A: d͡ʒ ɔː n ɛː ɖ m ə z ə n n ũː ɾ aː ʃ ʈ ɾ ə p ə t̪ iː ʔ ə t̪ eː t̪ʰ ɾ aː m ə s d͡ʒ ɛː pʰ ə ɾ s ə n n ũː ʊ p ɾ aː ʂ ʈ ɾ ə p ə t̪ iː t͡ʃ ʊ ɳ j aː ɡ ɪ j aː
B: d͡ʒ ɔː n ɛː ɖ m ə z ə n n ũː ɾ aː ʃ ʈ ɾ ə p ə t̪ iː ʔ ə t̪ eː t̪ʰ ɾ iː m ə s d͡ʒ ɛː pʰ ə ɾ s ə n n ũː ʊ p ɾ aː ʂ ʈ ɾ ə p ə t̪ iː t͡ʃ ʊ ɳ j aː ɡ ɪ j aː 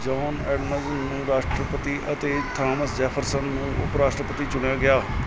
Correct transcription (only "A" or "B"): A